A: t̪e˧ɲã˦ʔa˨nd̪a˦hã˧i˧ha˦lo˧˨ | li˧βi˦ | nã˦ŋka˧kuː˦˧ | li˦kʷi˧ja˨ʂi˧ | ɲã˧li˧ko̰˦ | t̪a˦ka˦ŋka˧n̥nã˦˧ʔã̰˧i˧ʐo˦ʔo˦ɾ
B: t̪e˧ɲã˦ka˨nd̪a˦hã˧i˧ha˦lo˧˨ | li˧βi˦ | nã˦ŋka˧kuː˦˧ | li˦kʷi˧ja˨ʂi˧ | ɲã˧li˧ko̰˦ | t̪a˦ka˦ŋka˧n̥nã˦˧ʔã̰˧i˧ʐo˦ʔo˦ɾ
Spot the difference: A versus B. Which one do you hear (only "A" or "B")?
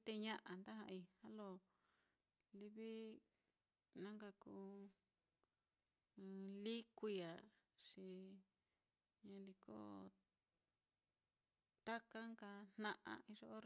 A